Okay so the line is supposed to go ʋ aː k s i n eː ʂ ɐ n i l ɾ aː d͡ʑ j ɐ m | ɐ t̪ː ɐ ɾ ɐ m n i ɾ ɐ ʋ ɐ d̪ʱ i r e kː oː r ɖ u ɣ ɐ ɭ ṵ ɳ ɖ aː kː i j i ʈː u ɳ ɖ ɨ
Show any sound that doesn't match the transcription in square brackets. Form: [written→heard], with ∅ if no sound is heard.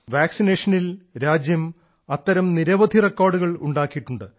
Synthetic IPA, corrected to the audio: ʋ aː k s i n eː ʂ ɐ n i l ɾ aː d͡ʑ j ɐ m | ɐ t̪ː ɐ ɾ ɐ m n i ɾ ɐ ʋ ɐ d̪ʱ i r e kː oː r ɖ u ɣ ɐ ɭ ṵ ɳ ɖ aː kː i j i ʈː u ɳ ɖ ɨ

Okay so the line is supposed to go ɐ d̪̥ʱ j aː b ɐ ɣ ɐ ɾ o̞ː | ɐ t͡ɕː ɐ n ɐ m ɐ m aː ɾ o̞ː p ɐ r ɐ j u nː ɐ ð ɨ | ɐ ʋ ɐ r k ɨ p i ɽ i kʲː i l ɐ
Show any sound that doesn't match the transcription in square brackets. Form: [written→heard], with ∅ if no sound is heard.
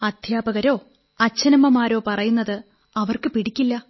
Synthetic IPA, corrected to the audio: ɐ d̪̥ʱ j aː b ɐ ɣ ɐ ɾ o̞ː | ɐ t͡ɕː ɐ n ɐ m ɐ m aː ɾ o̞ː p ɐ r ɐ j u nː ɐ ð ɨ | ɐ ʋ ɐ r k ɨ p i ɽ i kʲː i [l→lː] ɐ

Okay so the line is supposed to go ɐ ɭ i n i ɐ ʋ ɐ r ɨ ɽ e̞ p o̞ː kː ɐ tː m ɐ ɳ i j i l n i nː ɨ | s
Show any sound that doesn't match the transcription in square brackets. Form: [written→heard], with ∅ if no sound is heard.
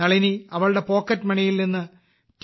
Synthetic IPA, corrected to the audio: ɐ ɭ i n i ɐ ʋ ɐ [r→ɭ] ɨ ɽ e̞ p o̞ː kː ɐ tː m ɐ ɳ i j i l n i nː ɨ | [s→t]

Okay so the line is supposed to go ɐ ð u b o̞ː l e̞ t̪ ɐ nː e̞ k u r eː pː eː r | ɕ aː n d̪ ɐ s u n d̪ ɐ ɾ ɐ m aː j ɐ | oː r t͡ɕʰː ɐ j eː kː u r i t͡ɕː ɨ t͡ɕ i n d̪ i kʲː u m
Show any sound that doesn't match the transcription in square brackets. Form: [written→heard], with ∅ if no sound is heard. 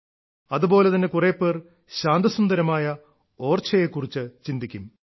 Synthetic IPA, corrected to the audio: ɐ ð u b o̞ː l e̞ t̪ ɐ nː e̞ k u r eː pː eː r | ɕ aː n d̪ ɐ s u n d̪ ɐ ɾ ɐ m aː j ɐ | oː r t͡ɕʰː ɐ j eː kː u r i t͡ɕː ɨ t͡ɕ i n d̪ i kʲː u m

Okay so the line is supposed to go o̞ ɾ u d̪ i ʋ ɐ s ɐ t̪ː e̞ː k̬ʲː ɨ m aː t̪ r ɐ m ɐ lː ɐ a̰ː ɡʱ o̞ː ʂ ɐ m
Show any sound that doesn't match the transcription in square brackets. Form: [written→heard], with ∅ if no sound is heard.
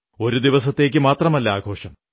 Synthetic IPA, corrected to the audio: o̞ ɾ u d̪ i ʋ ɐ s ɐ t̪ː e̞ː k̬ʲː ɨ m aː t̪ r ɐ m ɐ lː ɐ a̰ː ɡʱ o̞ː ʂ ɐ m

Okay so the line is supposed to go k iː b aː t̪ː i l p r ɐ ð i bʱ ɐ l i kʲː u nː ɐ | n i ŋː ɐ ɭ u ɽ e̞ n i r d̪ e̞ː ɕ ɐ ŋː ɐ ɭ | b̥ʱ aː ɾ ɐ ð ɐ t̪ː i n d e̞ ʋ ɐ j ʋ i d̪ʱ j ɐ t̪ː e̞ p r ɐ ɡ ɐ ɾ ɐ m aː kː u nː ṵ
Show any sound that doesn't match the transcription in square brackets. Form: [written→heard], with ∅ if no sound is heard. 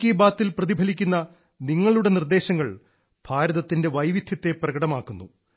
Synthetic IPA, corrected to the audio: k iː b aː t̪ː i l p r ɐ ð i bʱ ɐ l i kʲː u nː ɐ | n i ŋː ɐ ɭ u ɽ e̞ n i r d̪ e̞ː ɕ ɐ ŋː ɐ ɭ | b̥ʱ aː ɾ ɐ ð ɐ t̪ː i n d e̞ ʋ ɐ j ʋ i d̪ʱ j ɐ t̪ː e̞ p r ɐ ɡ ɐ [ɾ→ɽ] ɐ m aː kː u nː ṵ

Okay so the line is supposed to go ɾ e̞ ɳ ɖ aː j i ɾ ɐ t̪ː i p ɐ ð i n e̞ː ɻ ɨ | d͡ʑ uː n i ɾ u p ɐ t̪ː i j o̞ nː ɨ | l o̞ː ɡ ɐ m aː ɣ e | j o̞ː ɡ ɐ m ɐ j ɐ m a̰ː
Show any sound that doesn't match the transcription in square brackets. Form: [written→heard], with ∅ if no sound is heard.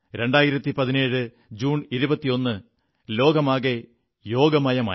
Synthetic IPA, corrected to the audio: ɾ e̞ ɳ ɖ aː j i ɾ ɐ t̪ː i p ɐ ð i n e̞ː ɻ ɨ | d͡ʑ uː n i ɾ u [p→b] ɐ t̪ː i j o̞ nː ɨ | l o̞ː ɡ ɐ m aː ɣ e | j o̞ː ɡ ɐ m ɐ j ɐ m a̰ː

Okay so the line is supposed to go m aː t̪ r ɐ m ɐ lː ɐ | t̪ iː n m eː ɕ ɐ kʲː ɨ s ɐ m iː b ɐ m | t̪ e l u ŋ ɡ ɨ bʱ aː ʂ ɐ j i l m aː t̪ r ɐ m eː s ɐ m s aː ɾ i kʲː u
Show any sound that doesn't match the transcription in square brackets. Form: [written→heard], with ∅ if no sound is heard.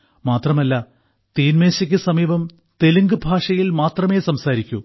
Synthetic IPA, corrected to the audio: m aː t̪ r ɐ m ɐ lː ɐ | t̪ iː n m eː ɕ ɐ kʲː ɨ s ɐ m iː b ɐ m | t̪ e l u ŋ ɡ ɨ bʱ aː ʂ ɐ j i l m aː t̪ r ɐ m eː s ɐ m s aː ɾ i kʲː u

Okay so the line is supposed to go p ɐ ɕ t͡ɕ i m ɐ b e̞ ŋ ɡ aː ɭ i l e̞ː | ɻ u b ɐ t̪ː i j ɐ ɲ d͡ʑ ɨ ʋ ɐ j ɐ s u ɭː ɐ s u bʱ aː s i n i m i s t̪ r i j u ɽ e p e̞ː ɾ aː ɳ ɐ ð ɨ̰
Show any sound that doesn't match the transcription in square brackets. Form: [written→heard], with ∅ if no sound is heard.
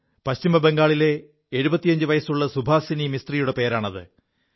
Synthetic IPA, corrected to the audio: p ɐ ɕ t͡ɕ i m ɐ b e̞ ŋ ɡ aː ɭ i l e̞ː | ɻ u b ɐ t̪ː i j ɐ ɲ d͡ʑ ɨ ʋ ɐ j ɐ s u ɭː ɐ s u bʱ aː s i n i m i s t̪ r i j u ɽ e p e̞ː ɾ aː ɳ ɐ ð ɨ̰

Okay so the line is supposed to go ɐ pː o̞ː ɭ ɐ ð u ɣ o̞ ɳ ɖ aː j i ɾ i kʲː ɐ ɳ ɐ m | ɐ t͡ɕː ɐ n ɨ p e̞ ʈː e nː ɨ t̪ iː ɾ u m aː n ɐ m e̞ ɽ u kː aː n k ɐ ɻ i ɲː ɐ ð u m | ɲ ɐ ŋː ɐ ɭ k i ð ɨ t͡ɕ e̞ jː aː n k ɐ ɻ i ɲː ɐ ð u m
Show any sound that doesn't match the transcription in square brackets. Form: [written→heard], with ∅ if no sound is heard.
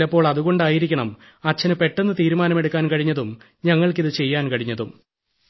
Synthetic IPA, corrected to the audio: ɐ pː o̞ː ɭ ɐ ð u ɣ o̞ ɳ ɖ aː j i ɾ i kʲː ɐ ɳ ɐ m | ɐ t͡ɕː ɐ n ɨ p e̞ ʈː e nː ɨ t̪ iː ɾ u m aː n ɐ m e̞ ɽ u kː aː n k ɐ ɻ i ɲː ɐ ð u m | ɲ ɐ ŋː ɐ ɭ k i ð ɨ t͡ɕ e̞ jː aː n k ɐ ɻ i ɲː ɐ ð u m

